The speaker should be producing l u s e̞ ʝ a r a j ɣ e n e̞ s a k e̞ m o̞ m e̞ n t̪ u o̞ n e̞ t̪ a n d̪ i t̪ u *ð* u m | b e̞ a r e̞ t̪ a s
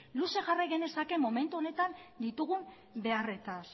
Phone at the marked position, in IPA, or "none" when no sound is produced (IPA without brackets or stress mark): ɣ